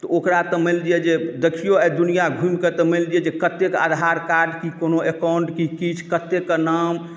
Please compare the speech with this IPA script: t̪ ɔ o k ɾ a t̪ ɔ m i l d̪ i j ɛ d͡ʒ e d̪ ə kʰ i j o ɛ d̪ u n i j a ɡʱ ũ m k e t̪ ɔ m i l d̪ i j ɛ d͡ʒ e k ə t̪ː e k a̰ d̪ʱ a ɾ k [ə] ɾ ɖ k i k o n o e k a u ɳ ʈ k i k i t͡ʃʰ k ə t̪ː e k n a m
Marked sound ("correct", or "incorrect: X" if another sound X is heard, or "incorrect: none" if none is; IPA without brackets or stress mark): incorrect: a